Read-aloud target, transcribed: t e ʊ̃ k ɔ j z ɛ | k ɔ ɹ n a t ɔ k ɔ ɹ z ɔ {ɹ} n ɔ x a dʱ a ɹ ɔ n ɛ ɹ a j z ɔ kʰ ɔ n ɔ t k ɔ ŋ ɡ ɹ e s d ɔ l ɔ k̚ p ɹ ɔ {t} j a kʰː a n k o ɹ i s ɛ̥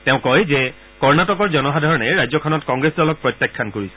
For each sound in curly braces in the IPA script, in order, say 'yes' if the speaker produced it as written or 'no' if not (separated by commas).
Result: no, yes